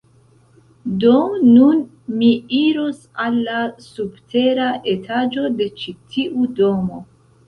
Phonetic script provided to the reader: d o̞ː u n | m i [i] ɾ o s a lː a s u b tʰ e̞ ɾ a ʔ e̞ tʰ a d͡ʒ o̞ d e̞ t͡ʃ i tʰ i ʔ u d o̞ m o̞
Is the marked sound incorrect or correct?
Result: correct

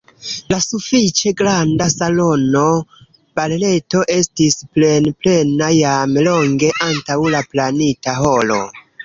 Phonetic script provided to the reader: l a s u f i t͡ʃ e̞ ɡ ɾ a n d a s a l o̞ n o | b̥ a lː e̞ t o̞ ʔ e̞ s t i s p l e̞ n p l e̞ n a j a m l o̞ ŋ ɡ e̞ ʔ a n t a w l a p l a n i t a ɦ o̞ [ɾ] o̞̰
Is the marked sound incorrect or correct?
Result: incorrect: l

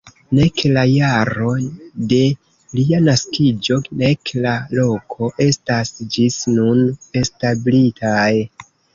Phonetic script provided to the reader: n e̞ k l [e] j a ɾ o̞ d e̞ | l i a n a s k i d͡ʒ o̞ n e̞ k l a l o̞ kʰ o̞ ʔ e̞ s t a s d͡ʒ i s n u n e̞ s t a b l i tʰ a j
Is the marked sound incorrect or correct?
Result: incorrect: a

